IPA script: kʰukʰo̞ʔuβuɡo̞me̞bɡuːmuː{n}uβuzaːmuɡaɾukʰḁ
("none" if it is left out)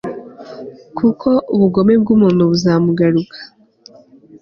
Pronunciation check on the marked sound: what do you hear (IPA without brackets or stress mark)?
n